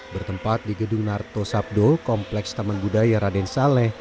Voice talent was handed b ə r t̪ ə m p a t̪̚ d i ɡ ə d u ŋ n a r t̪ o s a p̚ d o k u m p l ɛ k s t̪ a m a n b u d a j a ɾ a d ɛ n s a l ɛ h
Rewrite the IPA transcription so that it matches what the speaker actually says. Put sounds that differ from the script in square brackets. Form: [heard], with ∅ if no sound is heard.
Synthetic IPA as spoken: b ə r t̪ ə m p a t̪̚ d i ɡ ə d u ŋ n a r t̪ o s a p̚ d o k [ɔ] m p l ɛ k s t̪ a m a n b u d a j a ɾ a d ɛ n s a l ɛ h